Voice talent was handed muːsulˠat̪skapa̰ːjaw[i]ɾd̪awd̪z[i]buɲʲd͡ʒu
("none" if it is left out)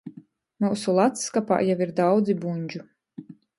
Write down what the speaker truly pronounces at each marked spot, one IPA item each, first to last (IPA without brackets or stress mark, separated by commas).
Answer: i, i